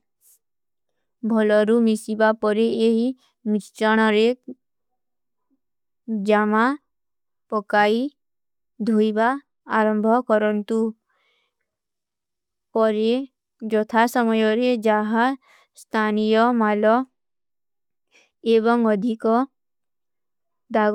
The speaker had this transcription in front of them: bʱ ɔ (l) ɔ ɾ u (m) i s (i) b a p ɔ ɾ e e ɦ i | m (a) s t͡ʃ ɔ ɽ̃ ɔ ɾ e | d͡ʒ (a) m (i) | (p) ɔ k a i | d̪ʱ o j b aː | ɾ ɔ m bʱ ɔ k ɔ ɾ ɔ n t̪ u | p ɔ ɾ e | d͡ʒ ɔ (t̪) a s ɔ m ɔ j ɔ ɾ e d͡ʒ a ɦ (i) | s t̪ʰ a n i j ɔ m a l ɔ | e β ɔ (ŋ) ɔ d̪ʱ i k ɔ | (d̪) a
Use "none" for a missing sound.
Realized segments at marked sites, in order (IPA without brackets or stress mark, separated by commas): l, m, i, i, a, a, p, t̪ʰ, a, ŋ, d̪